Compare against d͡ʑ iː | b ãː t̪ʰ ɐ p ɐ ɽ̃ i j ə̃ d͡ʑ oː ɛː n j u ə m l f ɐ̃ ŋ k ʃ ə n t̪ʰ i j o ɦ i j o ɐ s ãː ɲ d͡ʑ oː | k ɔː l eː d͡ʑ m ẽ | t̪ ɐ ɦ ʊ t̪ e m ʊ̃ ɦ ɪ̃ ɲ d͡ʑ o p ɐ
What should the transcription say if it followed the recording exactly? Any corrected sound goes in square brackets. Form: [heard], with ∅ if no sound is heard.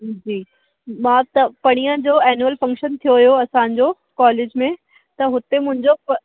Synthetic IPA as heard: d͡ʑ iː | [m] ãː [t̪] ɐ p ɐ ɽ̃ i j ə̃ d͡ʑ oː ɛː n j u ə [∅] l f ɐ̃ ŋ k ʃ ə n t̪ʰ i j o ɦ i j o ɐ s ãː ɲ d͡ʑ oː | k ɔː l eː d͡ʑ m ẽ | t̪ ɐ ɦ ʊ t̪ e m ʊ̃ ɦ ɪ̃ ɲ d͡ʑ o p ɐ

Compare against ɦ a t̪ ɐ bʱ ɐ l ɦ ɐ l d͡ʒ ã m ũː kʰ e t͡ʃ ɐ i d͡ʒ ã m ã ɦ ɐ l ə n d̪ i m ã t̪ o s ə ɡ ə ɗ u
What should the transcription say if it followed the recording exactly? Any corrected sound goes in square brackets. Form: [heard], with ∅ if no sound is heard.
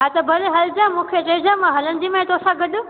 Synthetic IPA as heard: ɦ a t̪ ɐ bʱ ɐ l ɦ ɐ l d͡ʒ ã m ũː kʰ e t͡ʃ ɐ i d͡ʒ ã m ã ɦ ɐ l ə n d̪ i m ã t̪ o s [a] ɡ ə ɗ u

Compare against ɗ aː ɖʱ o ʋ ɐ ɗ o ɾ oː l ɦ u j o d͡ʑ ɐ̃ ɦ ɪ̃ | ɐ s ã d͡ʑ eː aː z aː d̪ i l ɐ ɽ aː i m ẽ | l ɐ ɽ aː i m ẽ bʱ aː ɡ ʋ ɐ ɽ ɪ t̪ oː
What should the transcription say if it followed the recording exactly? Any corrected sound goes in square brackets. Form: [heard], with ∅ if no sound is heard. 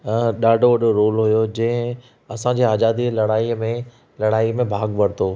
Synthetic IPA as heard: ɗ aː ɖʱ o ʋ ɐ ɗ o ɾ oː l ɦ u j o d͡ʑ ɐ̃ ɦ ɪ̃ | ɐ s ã d͡ʑ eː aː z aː d̪ i l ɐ ɽ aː i m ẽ | l ɐ ɽ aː i m ẽ bʱ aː ɡ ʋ ɐ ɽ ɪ t̪ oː

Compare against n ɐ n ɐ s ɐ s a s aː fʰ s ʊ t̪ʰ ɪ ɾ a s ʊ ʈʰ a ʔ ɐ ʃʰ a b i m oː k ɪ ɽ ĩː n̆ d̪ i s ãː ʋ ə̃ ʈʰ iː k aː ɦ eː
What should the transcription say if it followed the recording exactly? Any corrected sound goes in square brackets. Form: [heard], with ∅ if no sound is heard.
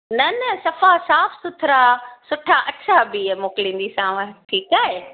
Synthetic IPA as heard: n ɐ n ɐ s ɐ [f] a s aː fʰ s ʊ t̪ʰ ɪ ɾ a s ʊ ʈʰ a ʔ ɐ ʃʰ a b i m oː k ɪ [l] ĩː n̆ d̪ i s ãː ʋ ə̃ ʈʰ iː k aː ɦ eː

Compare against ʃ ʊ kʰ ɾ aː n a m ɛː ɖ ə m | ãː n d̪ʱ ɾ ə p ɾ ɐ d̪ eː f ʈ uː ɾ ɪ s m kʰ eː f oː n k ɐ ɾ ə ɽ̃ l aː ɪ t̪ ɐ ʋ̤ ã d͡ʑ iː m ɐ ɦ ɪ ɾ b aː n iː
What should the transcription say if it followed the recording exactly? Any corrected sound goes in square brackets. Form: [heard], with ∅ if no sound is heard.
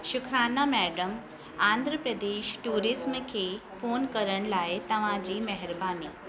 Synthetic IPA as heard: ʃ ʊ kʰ ɾ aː n a m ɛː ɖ ə m | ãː n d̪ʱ ɾ ə p ɾ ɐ d̪ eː [ʃ] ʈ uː ɾ ɪ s m kʰ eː f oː n k ɐ ɾ ə ɽ̃ l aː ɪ t̪ ɐ ʋ̤ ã d͡ʑ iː m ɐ ɦ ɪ ɾ b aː n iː

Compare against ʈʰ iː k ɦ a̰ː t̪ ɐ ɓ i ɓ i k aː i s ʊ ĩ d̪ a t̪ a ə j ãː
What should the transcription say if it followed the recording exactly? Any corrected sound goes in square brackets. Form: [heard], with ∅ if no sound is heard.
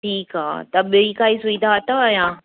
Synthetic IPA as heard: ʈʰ iː k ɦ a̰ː t̪ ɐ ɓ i [∅] i k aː i s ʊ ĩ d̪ a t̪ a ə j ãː

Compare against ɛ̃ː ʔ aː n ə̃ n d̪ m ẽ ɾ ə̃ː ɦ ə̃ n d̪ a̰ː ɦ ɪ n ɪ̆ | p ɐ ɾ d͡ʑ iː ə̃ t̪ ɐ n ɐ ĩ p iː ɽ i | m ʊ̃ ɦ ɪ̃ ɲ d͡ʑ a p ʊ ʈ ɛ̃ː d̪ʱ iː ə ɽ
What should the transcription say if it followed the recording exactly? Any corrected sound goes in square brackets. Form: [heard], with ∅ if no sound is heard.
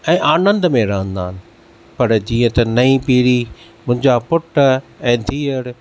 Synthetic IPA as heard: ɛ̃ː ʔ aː n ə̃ n d̪ m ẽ ɾ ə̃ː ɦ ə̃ n d̪ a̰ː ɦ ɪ n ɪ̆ | p ɐ ɾ d͡ʑ iː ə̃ t̪ ɐ n ɐ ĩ p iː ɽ i | m ʊ̃ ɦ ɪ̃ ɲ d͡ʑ a p ʊ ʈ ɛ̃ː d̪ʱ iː ə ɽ

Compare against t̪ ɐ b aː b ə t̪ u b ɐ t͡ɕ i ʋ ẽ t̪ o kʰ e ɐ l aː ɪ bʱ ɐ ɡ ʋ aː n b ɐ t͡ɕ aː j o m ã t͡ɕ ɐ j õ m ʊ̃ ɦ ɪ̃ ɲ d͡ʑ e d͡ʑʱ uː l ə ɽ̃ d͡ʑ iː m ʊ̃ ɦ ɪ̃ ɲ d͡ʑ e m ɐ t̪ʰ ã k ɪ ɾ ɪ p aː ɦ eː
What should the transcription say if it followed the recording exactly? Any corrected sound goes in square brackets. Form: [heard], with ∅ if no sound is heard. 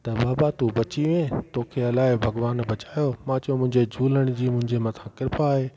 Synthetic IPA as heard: t̪ ɐ b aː b [a] t̪ u b ɐ t͡ɕ i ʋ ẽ t̪ o kʰ e ɐ l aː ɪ bʱ ɐ ɡ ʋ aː n b ɐ t͡ɕ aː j o m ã t͡ɕ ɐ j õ m ʊ̃ ɦ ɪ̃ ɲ d͡ʑ e d͡ʑʱ uː l ə ɽ̃ d͡ʑ iː m ʊ̃ ɦ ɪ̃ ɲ d͡ʑ e m ɐ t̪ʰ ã k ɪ ɾ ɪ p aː ɦ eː

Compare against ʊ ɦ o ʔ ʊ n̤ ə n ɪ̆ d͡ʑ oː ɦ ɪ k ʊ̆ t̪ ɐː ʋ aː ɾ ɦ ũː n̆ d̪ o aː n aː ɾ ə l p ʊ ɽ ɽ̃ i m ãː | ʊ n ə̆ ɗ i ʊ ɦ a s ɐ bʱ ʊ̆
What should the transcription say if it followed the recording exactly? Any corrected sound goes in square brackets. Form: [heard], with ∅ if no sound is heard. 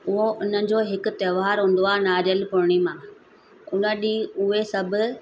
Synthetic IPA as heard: ʊ ɦ o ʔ ʊ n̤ ə n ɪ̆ d͡ʑ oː ɦ ɪ k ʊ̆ t̪ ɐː ʋ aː ɾ ɦ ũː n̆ d̪ o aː n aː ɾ ə l p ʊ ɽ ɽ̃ i m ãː | ʊ n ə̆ ɗ i ʊ ɦ [e] s ɐ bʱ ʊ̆

